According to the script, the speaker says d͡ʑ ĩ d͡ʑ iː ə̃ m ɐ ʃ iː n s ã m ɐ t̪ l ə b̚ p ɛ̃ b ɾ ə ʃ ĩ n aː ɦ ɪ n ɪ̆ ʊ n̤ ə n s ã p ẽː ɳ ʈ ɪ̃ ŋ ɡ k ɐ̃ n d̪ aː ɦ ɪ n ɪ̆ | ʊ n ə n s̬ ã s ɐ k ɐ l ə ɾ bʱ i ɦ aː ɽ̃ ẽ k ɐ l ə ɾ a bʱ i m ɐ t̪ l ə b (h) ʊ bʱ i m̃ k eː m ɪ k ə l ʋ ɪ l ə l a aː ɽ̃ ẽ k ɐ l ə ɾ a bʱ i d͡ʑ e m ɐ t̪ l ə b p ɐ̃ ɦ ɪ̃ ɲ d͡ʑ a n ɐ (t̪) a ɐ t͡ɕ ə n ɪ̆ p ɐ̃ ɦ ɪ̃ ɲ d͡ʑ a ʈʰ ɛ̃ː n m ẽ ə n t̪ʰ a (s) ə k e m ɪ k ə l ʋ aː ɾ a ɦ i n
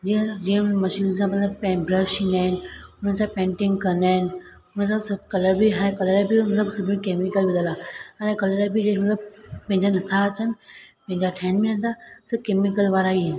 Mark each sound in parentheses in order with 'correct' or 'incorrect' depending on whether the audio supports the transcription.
incorrect: s, incorrect: t̪ʰ, correct

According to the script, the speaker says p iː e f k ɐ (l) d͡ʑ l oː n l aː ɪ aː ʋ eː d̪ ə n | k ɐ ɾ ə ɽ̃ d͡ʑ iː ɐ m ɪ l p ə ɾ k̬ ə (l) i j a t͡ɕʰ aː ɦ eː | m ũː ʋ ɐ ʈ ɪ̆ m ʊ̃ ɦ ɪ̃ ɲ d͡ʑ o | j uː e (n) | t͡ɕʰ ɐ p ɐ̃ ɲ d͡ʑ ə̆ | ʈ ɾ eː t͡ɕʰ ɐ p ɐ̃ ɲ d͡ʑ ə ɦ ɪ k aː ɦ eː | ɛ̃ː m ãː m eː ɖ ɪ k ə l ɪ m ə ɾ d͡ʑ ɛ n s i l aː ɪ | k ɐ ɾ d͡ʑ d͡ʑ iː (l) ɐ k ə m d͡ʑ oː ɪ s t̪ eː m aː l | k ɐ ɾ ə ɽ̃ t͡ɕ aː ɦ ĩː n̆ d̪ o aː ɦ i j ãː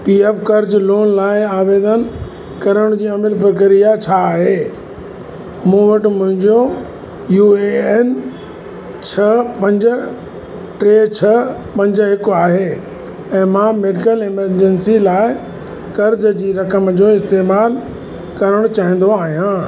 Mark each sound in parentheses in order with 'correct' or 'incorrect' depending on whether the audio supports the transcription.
incorrect: ɾ, incorrect: ɾ, correct, incorrect: ɾ

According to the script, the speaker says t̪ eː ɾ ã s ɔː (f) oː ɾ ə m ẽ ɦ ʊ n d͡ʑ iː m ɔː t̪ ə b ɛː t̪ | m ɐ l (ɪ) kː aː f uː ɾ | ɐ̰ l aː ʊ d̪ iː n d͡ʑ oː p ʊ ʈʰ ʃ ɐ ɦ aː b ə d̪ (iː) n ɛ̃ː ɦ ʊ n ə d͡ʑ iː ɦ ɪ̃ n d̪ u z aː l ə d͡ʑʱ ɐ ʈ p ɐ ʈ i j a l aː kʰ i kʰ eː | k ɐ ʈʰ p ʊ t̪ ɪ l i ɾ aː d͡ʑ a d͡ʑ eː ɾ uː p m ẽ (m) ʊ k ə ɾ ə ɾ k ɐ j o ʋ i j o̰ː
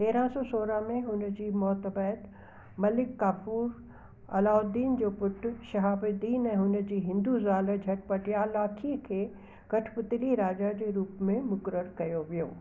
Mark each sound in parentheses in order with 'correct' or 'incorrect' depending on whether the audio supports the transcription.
incorrect: s, correct, correct, correct

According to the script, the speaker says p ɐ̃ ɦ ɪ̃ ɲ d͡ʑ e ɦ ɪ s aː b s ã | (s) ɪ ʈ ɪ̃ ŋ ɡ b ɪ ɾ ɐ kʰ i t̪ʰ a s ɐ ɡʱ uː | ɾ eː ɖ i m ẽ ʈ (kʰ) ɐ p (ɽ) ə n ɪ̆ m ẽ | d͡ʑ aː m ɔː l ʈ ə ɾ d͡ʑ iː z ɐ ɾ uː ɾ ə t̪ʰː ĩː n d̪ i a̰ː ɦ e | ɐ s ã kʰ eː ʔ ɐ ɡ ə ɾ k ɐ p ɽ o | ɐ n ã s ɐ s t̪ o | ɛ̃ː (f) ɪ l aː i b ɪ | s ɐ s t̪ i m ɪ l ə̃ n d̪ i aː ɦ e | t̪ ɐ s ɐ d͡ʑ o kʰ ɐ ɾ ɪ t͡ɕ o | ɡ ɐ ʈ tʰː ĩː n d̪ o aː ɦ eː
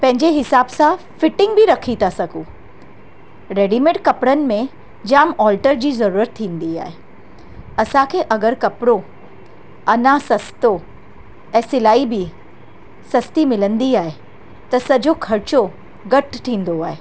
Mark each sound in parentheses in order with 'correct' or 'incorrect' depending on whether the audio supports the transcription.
incorrect: f, incorrect: k, correct, incorrect: s

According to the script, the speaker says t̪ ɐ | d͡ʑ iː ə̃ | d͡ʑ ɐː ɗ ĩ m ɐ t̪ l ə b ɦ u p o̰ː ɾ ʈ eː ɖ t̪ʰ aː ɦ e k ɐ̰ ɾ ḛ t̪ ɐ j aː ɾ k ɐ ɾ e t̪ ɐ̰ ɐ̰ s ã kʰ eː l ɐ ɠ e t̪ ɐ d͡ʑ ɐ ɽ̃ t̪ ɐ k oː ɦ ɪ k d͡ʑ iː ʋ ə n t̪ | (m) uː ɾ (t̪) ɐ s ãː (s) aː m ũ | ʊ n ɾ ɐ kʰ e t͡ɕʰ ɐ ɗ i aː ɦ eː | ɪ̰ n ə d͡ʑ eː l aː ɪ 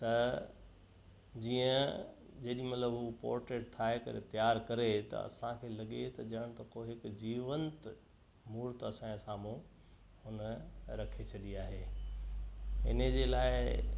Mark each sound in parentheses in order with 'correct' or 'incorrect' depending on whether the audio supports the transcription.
correct, correct, correct

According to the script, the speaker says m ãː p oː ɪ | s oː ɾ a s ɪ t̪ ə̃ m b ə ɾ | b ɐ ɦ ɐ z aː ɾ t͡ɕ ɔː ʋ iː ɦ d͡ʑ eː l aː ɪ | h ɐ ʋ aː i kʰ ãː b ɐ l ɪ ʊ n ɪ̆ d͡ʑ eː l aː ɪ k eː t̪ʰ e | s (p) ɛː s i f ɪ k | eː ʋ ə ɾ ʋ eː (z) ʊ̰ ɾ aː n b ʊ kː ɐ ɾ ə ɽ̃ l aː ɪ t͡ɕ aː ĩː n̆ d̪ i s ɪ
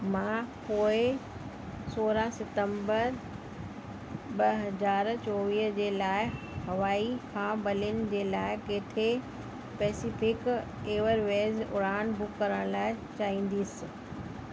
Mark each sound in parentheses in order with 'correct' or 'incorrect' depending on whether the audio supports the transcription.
correct, correct

